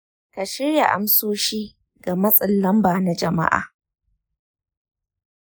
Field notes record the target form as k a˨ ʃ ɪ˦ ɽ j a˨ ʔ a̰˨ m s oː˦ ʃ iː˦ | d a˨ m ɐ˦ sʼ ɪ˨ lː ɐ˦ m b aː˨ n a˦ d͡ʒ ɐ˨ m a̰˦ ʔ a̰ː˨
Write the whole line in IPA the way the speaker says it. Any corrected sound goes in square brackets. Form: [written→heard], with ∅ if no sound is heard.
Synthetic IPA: k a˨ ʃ ɪ˦ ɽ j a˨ ʔ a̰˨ m s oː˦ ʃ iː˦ | [d→ɡ] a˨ m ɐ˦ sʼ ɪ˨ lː ɐ˦ m b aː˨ n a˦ d͡ʒ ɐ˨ m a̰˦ ʔ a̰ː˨